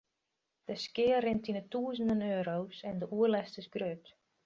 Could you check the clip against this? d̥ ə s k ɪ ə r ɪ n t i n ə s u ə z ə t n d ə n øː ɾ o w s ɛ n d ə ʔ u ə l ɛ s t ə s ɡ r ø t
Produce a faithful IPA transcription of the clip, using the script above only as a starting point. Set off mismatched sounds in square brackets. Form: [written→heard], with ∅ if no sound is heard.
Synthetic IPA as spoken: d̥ ə s k ɪ ə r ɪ n t i n ə [s→t] u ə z ə [t→∅] n d ə n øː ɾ o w s ɛ n d ə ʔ u ə l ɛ s t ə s ɡ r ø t